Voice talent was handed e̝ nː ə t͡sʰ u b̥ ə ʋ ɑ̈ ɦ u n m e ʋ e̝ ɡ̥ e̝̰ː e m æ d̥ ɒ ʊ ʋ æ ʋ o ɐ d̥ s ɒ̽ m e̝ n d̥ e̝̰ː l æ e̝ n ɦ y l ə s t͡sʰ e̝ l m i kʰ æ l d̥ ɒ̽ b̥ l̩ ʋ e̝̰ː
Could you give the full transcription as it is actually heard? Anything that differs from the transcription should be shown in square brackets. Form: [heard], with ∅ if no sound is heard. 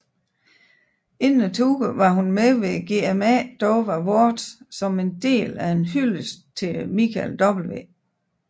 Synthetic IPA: e̝ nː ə t͡sʰ u [ɡ̥] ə ʋ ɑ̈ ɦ u n m e ʋ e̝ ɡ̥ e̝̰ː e m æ d̥ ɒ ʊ ʋ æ ʋ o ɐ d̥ s ɒ̽ m e̝ n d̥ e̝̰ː l æ e̝ n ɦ y l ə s t͡sʰ e̝ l m i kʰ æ l d̥ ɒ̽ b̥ l̩ ʋ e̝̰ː